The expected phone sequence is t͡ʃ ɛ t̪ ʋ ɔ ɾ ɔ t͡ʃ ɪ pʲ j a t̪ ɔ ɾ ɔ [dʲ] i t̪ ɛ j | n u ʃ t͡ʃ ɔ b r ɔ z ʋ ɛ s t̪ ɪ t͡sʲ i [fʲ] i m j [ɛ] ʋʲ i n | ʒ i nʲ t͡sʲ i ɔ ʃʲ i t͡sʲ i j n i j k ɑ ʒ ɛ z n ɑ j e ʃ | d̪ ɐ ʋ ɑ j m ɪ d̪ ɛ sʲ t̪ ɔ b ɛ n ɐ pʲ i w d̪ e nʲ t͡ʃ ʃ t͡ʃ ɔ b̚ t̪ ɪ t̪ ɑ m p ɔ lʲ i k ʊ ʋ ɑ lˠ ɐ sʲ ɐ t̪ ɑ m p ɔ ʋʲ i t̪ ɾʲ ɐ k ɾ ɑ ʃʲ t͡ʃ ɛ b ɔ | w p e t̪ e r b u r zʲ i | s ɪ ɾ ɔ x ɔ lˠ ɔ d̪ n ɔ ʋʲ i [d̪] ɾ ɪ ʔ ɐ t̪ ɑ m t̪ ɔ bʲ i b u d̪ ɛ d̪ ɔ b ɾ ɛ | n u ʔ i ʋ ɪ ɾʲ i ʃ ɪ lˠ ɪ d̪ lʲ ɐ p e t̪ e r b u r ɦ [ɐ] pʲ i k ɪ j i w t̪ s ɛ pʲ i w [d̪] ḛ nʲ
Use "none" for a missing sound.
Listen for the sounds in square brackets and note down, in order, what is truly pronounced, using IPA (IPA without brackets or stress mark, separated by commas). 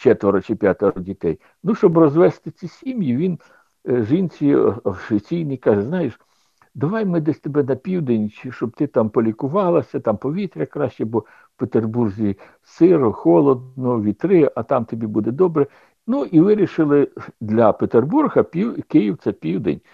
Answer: dʲ, sʲ, i, t̪, ɐ, d̪